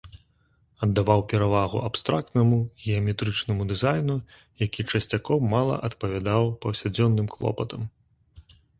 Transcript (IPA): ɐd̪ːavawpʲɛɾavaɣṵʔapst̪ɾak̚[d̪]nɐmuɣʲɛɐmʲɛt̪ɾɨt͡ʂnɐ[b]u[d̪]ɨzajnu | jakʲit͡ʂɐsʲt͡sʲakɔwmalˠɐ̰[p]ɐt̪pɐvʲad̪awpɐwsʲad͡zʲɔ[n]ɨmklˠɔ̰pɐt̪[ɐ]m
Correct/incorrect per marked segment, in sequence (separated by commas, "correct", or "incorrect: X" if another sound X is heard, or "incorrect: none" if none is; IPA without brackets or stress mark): incorrect: t̪, incorrect: m, correct, incorrect: ʔ, incorrect: nː, correct